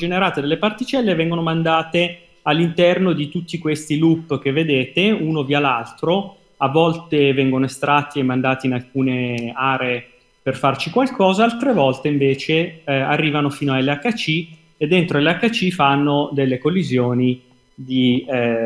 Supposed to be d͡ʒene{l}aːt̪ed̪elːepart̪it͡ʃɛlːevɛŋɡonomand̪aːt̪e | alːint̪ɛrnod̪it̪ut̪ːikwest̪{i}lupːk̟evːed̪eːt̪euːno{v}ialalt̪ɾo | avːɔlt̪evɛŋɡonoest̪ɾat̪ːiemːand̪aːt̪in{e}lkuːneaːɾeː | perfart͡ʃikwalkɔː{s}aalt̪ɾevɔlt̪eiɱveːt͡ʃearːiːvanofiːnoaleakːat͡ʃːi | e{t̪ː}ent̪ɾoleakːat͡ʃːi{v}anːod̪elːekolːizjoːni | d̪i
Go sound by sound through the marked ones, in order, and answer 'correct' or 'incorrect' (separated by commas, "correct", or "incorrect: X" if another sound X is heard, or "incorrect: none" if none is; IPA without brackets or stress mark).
incorrect: ɾ, correct, correct, incorrect: a, incorrect: z, incorrect: d̪ː, incorrect: f